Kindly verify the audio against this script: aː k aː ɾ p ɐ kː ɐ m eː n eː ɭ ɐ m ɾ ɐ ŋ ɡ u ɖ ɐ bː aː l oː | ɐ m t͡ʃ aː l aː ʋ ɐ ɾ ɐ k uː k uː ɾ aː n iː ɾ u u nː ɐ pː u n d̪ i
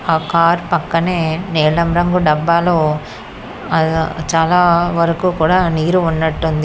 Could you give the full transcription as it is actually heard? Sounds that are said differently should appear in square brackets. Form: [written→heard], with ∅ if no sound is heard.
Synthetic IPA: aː k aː ɾ p ɐ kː ɐ [m→n] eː n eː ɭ ɐ m ɾ ɐ ŋ ɡ u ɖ ɐ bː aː l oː | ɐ [m→∅] t͡ʃ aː l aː ʋ ɐ ɾ ɐ k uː k uː [ɾ→ɽ] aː n iː ɾ u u nː ɐ [pː→ʈː] u n d̪ i

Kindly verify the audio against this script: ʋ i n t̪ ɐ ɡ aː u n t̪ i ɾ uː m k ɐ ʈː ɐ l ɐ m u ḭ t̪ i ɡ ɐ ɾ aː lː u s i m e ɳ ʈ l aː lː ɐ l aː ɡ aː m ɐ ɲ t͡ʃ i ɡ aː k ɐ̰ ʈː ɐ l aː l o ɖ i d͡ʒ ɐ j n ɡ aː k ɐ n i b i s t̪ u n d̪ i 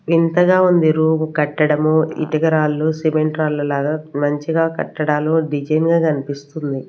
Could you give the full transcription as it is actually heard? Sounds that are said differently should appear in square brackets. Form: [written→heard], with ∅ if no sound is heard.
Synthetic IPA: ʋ i n t̪ ɐ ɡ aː u n [t̪→d̪] i ɾ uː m k ɐ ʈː ɐ [l→ɽ] ɐ m u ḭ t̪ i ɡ ɐ ɾ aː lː u s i m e ɳ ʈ [l→ɾ] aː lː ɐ l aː ɡ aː m ɐ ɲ t͡ʃ i ɡ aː k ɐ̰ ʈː ɐ [l→ɽ] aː l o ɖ i d͡ʒ ɐ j n ɡ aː k ɐ n i [b→p] i s t̪ u n d̪ i

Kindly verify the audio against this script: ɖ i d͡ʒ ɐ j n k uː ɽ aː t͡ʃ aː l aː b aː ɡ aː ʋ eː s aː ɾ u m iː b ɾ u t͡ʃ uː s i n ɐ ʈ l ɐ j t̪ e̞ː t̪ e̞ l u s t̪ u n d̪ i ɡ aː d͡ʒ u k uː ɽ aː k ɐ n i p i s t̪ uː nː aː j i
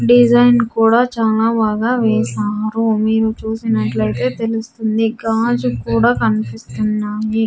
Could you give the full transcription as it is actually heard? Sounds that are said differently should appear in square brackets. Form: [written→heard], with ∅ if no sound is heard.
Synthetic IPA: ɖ i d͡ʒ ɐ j n k uː ɽ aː t͡ʃ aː l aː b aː ɡ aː ʋ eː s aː ɾ u m iː [b→∅] ɾ u t͡ʃ uː s i n ɐ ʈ l ɐ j t̪ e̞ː t̪ e̞ l u s t̪ u n d̪ i ɡ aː d͡ʒ u k uː ɽ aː k ɐ n i p i s t̪ [uː→u] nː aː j i

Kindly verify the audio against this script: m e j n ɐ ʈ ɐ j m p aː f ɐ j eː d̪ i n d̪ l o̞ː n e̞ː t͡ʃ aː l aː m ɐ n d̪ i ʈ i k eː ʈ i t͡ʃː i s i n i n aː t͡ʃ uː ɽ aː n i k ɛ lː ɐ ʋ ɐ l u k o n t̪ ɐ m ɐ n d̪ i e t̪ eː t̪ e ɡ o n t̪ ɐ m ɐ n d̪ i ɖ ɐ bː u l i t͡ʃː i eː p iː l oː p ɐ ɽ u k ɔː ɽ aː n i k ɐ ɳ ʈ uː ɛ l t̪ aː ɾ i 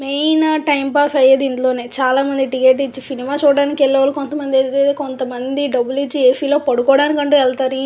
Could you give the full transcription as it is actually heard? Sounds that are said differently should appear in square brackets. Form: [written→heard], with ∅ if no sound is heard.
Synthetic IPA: m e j n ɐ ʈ ɐ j m p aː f ɐ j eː d̪ i n d̪ l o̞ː n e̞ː t͡ʃ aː l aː m ɐ n d̪ i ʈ i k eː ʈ i t͡ʃː i s i n i [n→m] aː t͡ʃ uː ɽ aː n i k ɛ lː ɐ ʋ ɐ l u k o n t̪ ɐ m ɐ n d̪ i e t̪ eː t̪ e [ɡ→k] o n t̪ ɐ m ɐ n d̪ i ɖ ɐ bː u l i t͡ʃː i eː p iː l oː p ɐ ɽ u k ɔː ɽ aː n i k ɐ ɳ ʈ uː ɛ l t̪ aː ɾ i

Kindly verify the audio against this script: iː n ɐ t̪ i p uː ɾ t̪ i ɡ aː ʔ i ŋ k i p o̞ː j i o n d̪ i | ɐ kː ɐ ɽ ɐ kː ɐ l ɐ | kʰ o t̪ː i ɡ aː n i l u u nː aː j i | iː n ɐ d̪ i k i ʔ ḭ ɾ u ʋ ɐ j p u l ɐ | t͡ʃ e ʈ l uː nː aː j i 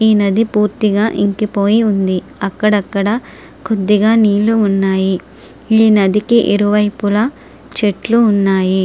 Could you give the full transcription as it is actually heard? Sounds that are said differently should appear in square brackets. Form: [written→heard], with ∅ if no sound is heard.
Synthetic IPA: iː n ɐ [t̪→d̪] i p uː ɾ t̪ i ɡ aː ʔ i ŋ k i p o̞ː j i [o→u] n d̪ i | ɐ kː ɐ ɽ ɐ kː ɐ [l→ɽ] ɐ | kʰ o [t̪ː→d̪ː] i ɡ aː n [i→iː] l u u nː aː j i | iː n ɐ d̪ i k i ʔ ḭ ɾ u ʋ ɐ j p u l ɐ | t͡ʃ e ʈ l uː nː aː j i

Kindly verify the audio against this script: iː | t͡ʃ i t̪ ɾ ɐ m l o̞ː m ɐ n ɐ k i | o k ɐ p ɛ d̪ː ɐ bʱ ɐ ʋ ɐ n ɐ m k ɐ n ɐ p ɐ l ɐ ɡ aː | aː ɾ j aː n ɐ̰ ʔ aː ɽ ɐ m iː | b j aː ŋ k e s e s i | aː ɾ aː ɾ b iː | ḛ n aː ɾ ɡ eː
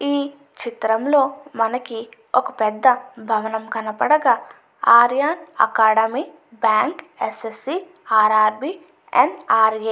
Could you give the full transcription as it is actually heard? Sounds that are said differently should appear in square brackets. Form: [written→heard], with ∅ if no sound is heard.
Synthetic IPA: iː | t͡ʃ i t̪ ɾ ɐ m l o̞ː m ɐ n ɐ k i | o k ɐ p ɛ d̪ː ɐ bʱ ɐ ʋ ɐ n ɐ m k ɐ n ɐ p ɐ [l→ɽ] ɐ ɡ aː | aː ɾ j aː n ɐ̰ [ʔ→k] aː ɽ ɐ m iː | b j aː ŋ k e s e s i | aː ɾ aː ɾ b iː | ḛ n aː ɾ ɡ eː

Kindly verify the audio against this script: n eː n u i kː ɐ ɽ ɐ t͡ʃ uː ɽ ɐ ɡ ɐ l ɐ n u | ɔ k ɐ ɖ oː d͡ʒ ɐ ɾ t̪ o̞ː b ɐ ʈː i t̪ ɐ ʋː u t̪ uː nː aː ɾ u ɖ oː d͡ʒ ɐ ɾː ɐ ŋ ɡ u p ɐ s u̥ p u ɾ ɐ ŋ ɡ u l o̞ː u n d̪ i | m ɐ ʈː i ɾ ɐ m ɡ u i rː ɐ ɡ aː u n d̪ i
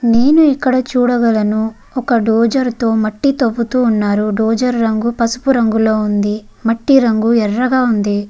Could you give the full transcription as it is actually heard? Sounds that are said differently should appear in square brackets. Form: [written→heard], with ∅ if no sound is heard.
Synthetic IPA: n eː n u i kː ɐ ɽ ɐ t͡ʃ uː ɽ ɐ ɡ ɐ l ɐ n u | ɔ k ɐ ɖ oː d͡ʒ ɐ ɾ t̪ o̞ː [b→m] ɐ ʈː i t̪ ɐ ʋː u t̪ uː nː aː ɾ u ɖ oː d͡ʒ ɐ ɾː ɐ ŋ ɡ u p ɐ s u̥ p u ɾ ɐ ŋ ɡ u l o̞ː u n d̪ i | m ɐ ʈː i ɾ ɐ [m→ŋ] ɡ u [i→ɛ] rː ɐ ɡ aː u n d̪ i

